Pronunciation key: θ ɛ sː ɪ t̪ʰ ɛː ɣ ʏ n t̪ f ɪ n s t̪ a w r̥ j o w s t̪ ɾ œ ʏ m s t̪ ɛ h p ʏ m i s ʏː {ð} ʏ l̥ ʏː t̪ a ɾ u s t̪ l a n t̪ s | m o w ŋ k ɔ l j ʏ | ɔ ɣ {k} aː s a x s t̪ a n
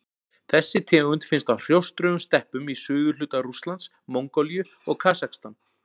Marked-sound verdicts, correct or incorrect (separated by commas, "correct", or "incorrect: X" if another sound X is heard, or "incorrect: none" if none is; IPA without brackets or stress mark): incorrect: ɣ, incorrect: kʰ